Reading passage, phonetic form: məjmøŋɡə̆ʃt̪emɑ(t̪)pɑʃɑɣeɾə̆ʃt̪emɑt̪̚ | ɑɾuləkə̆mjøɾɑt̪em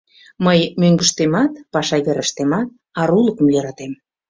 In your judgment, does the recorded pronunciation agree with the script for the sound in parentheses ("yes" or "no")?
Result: yes